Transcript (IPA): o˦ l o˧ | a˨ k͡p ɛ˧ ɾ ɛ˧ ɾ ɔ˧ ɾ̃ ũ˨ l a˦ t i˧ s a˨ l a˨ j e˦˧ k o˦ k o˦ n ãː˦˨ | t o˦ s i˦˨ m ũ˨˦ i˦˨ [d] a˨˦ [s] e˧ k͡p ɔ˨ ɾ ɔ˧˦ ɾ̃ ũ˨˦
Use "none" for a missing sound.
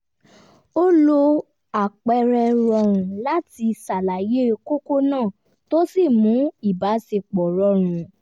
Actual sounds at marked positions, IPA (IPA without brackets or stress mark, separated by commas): b, s